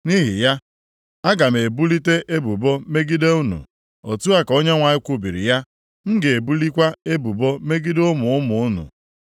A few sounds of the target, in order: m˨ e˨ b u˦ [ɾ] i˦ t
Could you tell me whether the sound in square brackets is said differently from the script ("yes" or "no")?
yes